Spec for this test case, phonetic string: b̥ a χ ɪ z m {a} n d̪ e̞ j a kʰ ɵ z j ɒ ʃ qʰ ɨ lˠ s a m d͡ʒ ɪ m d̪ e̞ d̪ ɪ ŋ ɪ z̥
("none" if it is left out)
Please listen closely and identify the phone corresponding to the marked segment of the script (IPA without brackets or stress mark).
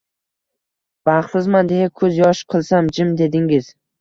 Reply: a